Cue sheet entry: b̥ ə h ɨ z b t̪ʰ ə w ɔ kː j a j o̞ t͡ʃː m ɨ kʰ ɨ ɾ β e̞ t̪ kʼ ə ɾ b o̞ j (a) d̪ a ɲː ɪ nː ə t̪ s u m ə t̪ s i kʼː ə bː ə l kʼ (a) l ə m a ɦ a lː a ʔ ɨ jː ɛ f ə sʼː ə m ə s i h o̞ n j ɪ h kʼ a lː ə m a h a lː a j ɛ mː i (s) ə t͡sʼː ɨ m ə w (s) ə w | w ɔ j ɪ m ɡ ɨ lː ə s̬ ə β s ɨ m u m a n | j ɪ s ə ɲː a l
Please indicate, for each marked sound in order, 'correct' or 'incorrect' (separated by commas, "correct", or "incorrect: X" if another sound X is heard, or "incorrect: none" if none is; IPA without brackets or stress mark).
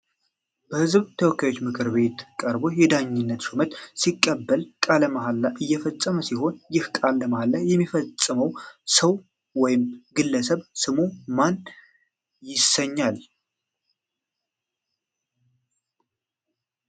incorrect: ɛ, correct, incorrect: f, correct